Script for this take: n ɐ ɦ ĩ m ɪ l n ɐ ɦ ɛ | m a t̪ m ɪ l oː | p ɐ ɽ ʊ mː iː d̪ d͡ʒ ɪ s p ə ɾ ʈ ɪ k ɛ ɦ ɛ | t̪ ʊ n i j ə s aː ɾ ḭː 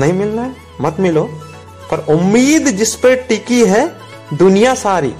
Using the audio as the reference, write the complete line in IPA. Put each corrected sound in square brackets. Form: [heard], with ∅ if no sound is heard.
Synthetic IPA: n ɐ ɦ ĩ m ɪ l n [a] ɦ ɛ | m [ɐ] t̪ m ɪ l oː | p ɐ [ɾ] ʊ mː iː d̪ d͡ʒ ɪ s p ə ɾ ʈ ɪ k [i] ɦ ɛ | [d̪] ʊ n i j [a] s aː ɾ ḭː